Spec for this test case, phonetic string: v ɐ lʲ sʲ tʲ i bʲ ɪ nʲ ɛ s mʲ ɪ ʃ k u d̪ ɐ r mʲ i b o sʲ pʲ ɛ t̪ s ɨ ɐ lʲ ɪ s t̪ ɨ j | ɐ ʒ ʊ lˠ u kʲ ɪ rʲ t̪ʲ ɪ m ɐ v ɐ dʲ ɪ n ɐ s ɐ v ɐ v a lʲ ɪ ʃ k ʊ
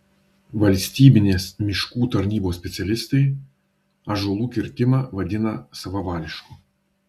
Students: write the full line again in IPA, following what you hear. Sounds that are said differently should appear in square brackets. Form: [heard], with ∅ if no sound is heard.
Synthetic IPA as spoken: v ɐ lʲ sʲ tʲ i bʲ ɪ nʲ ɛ s mʲ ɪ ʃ k u [t̪] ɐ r [nʲ] i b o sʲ pʲ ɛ t̪ s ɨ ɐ lʲ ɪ s t̪ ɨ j | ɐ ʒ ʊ lˠ u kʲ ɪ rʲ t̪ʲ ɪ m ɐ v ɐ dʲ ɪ n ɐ s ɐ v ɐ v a lʲ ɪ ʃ k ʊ

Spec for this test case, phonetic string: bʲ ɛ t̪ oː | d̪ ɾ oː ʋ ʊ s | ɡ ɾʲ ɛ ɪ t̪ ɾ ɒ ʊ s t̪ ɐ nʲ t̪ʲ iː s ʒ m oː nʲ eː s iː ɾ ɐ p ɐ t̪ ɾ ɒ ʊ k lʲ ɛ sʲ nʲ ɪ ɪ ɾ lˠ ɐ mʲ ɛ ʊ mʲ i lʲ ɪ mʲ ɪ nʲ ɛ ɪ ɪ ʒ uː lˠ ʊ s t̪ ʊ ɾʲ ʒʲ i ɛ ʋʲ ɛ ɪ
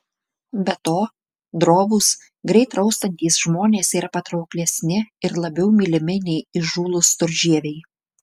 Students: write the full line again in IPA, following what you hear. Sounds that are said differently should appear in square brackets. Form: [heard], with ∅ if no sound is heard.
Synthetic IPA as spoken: bʲ ɛ t̪ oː | d̪ ɾ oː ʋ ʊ s | ɡ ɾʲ ɛ ɪ t̪ ɾ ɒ ʊ s t̪ ɐ nʲ t̪ʲ iː s ʒ m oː nʲ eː s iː ɾ ɐ p ɐ t̪ ɾ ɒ ʊ k lʲ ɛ sʲ nʲ ɪ ɪ ɾ lˠ ɐ [bʲ] ɛ ʊ mʲ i lʲ ɪ mʲ ɪ nʲ ɛ ɪ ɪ ʒ uː lˠ ʊ s t̪ ʊ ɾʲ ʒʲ i ɛ ʋʲ ɛ ɪ

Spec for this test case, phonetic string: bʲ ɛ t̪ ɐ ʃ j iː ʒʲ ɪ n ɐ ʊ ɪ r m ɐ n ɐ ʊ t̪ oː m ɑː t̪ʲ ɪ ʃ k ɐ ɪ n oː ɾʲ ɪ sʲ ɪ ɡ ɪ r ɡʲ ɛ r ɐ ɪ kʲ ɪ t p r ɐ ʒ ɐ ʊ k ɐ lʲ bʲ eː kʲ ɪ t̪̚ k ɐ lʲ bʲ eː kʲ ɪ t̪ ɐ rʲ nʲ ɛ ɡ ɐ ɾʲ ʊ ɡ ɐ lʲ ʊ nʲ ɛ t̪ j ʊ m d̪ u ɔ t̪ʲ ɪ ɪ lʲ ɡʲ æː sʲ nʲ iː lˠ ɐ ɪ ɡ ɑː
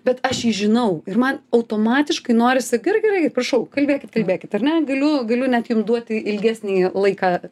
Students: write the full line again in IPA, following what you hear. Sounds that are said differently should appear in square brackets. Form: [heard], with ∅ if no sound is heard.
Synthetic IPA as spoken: bʲ ɛ t̪ ɐ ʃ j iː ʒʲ ɪ n ɐ ʊ ɪ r m ɐ n ɐ ʊ t̪ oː m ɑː t̪ʲ ɪ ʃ k ɐ ɪ n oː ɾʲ ɪ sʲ ɪ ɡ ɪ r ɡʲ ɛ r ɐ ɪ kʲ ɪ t p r ɐ [ʃ] ɐ ʊ k ɐ lʲ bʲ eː kʲ ɪ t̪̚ k ɐ lʲ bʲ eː kʲ ɪ t̪ ɐ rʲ nʲ ɛ ɡ ɐ [lʲ] ʊ ɡ ɐ lʲ ʊ nʲ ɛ t̪ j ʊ m d̪ u ɔ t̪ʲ ɪ ɪ lʲ ɡʲ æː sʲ nʲ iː lˠ ɐ ɪ [k] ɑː

